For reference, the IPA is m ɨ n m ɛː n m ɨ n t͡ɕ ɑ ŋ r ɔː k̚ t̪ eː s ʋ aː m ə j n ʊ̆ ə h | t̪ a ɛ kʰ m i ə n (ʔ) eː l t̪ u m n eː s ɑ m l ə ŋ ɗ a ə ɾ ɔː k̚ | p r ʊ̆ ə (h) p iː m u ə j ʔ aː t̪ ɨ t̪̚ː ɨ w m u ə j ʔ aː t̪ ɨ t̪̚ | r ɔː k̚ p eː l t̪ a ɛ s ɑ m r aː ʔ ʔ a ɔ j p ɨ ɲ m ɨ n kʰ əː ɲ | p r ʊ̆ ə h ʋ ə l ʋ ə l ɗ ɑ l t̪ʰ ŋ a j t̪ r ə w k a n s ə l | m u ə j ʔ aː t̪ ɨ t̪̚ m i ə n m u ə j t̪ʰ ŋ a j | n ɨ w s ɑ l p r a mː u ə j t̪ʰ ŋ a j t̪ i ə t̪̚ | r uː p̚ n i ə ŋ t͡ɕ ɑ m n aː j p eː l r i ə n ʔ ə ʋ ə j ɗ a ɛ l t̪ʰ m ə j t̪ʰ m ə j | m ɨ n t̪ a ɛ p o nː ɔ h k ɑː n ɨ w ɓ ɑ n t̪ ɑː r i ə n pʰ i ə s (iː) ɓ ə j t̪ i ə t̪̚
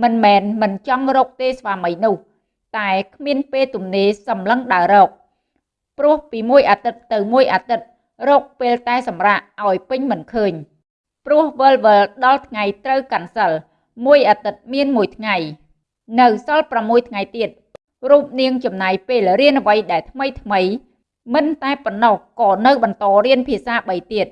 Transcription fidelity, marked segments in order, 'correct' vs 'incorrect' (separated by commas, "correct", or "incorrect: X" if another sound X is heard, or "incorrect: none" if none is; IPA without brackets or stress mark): incorrect: p, correct, incorrect: aː